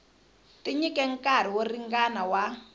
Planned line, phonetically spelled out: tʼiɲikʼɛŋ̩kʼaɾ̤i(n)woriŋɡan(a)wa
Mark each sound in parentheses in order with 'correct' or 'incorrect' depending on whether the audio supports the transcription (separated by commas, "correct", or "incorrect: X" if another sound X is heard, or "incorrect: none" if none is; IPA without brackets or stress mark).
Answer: incorrect: none, correct